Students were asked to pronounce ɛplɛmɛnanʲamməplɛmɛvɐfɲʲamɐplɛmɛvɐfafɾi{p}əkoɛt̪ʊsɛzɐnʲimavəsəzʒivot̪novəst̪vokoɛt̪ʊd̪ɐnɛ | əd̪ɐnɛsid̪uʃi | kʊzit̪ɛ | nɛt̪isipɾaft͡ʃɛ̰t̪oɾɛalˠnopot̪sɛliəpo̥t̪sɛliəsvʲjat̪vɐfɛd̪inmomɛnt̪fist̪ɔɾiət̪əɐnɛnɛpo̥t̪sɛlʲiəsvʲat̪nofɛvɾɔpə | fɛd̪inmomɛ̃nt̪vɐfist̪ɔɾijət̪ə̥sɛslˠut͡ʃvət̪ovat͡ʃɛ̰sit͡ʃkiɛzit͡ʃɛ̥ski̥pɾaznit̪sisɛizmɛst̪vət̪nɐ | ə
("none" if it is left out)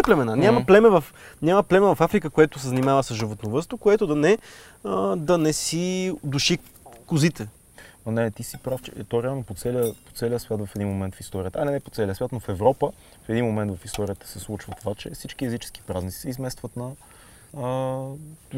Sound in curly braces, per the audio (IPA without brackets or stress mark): k